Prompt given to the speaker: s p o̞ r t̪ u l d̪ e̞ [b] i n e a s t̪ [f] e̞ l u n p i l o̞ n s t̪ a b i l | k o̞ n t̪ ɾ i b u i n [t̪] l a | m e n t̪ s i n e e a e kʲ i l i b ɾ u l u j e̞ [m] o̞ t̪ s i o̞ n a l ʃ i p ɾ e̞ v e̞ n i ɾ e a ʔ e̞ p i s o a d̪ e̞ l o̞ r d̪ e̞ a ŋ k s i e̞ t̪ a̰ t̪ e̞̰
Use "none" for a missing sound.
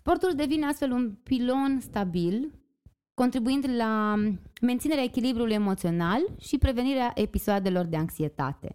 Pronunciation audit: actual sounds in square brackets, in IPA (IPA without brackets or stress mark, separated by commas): v, f, d̪, m